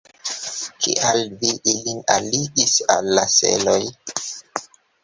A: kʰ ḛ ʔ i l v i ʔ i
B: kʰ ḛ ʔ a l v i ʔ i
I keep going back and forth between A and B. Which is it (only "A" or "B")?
B